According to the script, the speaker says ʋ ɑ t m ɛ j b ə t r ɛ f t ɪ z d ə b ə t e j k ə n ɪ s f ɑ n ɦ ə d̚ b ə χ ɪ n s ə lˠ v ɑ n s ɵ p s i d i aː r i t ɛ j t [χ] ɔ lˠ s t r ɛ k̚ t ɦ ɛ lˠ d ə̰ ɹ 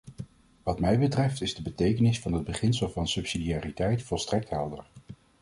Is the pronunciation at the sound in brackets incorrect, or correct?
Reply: incorrect